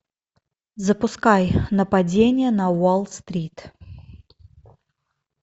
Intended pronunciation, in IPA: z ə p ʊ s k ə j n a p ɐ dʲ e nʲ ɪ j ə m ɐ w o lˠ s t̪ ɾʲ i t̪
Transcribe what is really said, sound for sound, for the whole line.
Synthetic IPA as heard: z ə p ʊ s k a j n ə p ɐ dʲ e nʲ ɪ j ə n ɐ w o lˠ s t̪ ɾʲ i t̪